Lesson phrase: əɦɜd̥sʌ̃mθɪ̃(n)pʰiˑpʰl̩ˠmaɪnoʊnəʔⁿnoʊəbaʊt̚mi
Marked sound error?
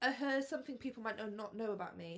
yes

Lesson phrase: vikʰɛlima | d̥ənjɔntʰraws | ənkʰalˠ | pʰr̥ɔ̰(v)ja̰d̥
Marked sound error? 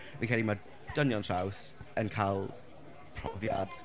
no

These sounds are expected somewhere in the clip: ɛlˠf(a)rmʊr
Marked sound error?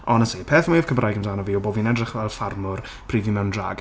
no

